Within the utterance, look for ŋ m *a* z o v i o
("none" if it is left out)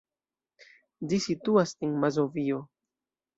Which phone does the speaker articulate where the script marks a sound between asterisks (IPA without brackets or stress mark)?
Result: a